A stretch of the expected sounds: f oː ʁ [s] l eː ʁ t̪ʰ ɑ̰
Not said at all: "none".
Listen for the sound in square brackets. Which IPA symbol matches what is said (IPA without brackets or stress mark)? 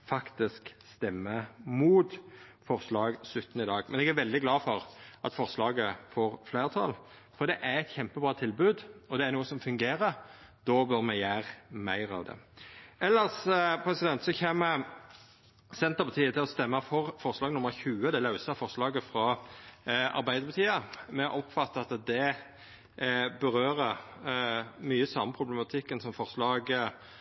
f